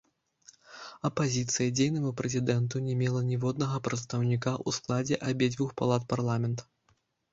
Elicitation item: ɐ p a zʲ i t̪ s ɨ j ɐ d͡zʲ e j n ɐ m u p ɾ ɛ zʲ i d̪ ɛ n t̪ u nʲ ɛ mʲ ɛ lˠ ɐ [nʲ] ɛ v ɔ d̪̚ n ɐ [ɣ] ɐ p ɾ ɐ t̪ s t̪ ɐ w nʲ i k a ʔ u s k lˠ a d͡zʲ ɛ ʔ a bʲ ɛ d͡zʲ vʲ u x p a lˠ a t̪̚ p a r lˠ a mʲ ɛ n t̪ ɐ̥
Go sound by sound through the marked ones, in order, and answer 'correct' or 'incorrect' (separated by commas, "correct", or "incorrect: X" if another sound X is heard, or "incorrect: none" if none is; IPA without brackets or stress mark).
correct, correct